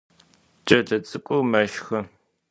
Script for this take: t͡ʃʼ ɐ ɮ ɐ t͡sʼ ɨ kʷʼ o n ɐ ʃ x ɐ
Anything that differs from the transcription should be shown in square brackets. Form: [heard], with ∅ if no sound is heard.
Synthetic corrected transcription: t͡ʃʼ ɐ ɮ ɐ t͡sʼ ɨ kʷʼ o [m] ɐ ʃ x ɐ